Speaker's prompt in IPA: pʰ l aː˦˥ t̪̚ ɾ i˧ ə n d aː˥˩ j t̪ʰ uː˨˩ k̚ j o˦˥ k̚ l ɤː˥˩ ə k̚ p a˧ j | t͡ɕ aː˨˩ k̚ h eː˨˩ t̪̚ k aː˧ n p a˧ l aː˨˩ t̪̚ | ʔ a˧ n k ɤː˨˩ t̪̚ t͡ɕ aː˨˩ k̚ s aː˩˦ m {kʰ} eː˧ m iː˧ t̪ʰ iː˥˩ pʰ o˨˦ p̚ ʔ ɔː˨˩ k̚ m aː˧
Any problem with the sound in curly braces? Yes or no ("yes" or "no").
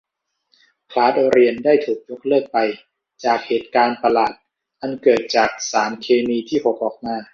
no